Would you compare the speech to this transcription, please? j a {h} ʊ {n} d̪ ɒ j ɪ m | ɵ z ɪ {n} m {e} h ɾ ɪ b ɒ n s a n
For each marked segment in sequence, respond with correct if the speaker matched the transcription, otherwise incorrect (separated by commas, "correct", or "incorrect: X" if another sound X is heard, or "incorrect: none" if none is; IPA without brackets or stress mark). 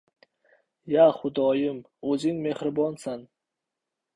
incorrect: χ, incorrect: none, incorrect: ŋ, correct